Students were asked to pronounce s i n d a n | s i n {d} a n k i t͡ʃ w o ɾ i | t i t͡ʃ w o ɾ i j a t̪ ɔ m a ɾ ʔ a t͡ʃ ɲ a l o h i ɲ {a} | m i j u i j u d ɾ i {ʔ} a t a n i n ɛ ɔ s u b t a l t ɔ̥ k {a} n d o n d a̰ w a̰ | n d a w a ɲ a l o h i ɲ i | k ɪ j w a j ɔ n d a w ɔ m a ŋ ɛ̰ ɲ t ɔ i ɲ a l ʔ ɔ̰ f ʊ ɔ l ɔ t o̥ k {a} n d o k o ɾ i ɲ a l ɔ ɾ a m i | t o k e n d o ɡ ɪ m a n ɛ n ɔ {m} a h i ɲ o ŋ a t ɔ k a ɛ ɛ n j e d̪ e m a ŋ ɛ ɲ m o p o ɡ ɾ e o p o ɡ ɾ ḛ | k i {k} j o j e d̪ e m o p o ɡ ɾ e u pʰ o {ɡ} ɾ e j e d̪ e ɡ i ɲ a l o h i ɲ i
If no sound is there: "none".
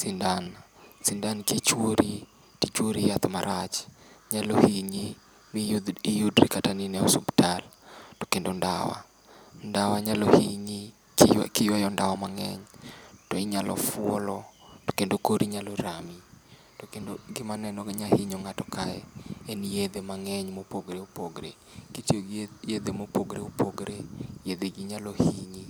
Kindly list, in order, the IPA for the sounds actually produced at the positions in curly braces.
d, i, k, e, e, ɲ, t, ɡ

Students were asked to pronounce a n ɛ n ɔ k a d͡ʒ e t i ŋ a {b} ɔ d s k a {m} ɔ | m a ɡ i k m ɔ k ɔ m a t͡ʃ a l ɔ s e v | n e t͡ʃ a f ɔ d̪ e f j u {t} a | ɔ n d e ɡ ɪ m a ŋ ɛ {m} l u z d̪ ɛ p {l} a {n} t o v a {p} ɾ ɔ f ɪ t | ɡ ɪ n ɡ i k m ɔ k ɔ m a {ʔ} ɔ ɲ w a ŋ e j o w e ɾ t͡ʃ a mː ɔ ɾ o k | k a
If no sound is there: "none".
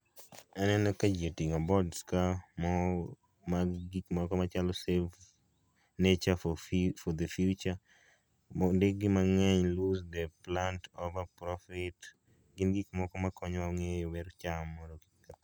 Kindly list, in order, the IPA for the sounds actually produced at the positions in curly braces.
b, m, t͡ʃ, ɲ, l, n, p, k

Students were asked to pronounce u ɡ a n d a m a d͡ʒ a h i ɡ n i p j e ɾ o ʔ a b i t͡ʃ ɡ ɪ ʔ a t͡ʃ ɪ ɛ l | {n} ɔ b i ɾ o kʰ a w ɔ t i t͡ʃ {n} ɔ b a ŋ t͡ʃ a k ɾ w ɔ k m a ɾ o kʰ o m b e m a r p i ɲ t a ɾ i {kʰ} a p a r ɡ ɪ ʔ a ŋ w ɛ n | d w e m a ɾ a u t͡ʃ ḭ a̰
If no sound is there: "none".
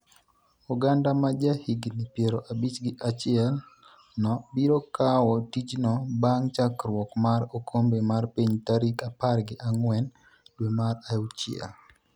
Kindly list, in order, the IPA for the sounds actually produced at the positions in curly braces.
n, n, k

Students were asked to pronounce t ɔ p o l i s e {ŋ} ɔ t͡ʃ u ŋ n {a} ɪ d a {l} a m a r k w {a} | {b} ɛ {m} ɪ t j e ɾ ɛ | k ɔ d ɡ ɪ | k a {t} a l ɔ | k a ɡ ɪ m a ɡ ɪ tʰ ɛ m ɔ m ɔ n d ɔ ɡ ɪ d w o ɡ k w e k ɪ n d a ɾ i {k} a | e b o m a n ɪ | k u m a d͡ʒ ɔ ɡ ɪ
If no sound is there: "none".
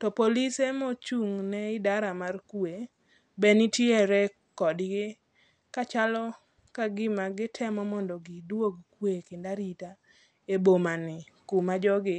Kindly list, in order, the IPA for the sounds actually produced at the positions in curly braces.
m, ɛ, ɾ, e, b, n, t͡ʃ, t

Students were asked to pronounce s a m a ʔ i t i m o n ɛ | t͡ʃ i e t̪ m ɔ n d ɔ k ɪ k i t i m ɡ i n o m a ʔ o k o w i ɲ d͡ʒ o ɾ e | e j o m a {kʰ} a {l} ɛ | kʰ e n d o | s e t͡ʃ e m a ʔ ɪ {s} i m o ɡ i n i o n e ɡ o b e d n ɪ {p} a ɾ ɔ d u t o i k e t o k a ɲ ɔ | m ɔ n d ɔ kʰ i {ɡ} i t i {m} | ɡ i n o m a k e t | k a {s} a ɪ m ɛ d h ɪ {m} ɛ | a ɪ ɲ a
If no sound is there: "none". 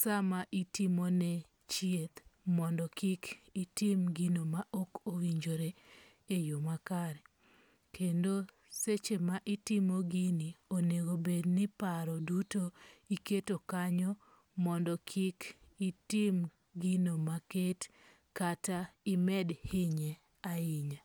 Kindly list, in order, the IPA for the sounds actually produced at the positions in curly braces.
k, ɾ, t, p, k, m, t, ɲ

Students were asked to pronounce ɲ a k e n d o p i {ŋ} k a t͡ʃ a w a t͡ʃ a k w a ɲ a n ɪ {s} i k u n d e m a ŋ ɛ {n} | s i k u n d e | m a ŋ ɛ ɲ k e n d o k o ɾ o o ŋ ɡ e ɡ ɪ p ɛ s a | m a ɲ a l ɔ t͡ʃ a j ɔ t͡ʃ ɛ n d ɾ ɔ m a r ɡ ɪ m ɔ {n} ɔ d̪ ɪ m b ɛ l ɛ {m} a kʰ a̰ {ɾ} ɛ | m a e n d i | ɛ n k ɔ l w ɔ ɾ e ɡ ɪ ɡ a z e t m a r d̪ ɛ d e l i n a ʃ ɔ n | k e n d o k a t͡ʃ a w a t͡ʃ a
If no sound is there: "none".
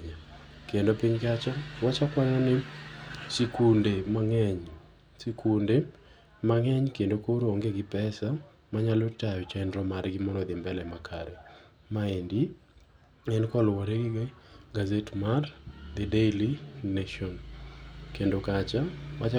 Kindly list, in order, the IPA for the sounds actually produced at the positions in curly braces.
ɲ, s, ɲ, n, m, ɾ

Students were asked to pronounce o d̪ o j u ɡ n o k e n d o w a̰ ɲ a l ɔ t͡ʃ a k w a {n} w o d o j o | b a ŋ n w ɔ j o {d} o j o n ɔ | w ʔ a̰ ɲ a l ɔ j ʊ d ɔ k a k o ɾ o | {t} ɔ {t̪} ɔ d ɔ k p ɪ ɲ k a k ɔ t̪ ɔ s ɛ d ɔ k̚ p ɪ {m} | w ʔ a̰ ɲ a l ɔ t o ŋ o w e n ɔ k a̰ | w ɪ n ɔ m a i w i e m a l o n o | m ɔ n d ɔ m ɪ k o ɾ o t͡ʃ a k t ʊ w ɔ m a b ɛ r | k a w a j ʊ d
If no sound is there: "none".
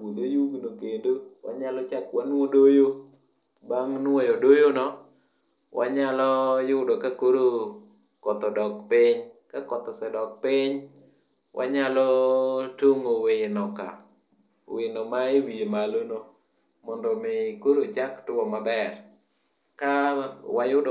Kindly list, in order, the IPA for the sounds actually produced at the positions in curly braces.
n, d, k, t̪, ɲ

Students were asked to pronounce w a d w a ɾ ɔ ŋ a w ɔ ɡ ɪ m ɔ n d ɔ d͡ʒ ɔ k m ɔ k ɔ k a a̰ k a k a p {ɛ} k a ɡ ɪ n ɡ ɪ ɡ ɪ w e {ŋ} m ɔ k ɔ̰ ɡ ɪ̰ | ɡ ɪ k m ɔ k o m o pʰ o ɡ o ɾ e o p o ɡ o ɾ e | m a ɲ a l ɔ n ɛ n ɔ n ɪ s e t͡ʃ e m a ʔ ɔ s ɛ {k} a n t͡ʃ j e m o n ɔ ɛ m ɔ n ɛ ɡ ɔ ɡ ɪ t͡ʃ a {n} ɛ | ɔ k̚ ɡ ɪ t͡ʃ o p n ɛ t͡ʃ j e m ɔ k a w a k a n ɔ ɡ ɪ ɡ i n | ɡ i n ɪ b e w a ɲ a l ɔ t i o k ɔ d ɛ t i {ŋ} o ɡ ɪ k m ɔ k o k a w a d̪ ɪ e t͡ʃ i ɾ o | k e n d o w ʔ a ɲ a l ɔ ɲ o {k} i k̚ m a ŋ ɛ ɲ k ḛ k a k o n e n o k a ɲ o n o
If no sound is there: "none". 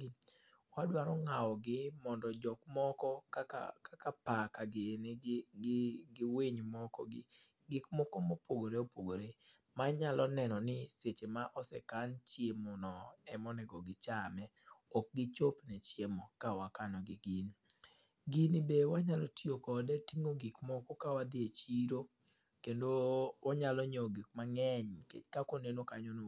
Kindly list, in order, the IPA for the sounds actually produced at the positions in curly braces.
a, ɲ, k, m, ŋ, ɡ

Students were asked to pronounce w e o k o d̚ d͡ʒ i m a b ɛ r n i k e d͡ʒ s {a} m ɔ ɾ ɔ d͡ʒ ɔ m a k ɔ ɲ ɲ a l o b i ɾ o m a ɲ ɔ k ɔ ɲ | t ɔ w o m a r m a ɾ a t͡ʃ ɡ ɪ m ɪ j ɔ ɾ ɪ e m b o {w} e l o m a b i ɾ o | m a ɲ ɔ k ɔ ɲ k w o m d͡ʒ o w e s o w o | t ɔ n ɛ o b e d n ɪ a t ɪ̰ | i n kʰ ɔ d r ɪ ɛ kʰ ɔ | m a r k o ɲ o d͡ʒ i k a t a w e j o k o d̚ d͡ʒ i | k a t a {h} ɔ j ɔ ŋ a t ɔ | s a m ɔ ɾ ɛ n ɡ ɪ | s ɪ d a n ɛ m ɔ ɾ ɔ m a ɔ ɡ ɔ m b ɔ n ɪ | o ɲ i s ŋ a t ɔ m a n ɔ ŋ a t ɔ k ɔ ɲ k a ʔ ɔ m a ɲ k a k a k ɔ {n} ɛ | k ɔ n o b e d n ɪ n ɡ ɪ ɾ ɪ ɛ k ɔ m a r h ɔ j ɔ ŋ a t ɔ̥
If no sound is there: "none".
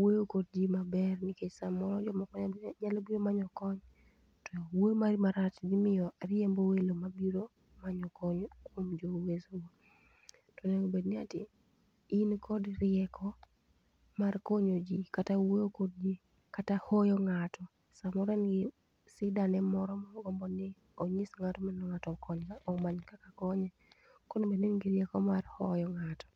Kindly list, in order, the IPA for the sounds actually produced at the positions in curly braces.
a, w, h, ɲ

